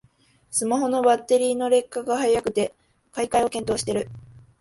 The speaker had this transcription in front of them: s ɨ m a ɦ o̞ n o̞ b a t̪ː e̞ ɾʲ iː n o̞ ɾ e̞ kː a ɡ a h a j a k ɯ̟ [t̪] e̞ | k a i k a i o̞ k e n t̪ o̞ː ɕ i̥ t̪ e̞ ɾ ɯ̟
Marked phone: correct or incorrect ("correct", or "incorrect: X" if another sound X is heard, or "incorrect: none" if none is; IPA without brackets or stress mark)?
correct